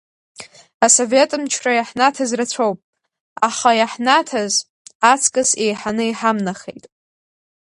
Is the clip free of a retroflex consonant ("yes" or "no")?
yes